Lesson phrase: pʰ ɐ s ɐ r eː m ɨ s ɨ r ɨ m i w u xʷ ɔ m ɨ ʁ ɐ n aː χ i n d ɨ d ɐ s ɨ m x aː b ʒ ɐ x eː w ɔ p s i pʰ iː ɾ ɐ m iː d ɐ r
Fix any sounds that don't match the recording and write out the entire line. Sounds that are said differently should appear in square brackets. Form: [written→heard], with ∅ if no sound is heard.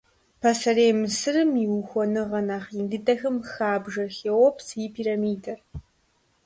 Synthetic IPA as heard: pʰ ɐ s ɐ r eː m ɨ s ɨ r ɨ m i w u xʷ ɔ [m→n] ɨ ʁ ɐ n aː χ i n d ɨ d ɐ [s→x] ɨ m x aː b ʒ ɐ x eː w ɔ p s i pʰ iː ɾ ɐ m iː d ɐ r